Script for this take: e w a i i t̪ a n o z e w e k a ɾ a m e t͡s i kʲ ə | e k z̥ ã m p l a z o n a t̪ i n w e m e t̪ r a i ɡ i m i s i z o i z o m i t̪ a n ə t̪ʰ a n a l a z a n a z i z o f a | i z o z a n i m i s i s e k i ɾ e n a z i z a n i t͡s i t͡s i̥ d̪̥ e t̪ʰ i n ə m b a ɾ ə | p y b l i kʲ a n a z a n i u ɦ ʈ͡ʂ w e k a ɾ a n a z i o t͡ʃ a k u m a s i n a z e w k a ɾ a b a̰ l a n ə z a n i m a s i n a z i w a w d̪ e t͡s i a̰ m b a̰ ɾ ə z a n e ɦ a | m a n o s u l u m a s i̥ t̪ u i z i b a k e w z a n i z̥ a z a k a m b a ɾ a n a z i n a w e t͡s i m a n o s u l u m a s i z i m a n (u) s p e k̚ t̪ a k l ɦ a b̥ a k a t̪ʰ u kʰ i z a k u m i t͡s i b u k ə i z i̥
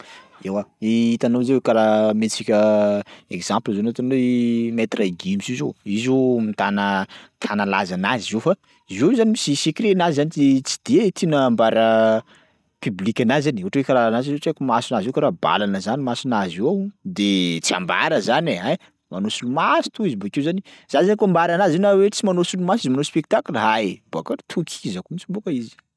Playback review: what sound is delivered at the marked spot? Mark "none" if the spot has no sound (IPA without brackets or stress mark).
o